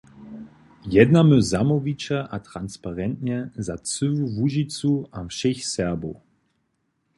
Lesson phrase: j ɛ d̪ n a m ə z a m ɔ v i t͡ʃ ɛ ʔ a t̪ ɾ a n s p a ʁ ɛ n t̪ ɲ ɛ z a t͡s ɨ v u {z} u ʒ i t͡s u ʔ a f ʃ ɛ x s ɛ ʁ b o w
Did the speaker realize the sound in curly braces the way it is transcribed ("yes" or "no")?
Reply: no